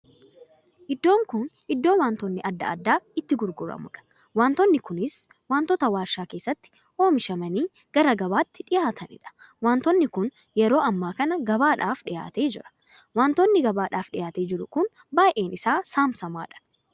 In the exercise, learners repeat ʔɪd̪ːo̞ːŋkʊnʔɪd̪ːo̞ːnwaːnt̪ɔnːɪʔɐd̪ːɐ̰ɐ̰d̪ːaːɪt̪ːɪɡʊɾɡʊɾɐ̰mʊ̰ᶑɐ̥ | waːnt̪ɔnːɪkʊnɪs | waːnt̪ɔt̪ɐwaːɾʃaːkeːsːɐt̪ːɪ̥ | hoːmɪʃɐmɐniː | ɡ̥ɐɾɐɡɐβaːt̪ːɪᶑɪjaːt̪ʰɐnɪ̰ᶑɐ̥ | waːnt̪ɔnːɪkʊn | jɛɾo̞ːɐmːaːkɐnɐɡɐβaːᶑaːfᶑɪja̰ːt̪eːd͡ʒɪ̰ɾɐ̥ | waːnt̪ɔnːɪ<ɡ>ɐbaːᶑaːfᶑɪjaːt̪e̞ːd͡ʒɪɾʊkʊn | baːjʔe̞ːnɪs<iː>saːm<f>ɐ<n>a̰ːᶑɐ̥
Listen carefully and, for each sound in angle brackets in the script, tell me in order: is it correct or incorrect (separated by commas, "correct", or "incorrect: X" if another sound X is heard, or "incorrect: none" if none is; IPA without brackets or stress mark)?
correct, incorrect: aː, incorrect: s, incorrect: m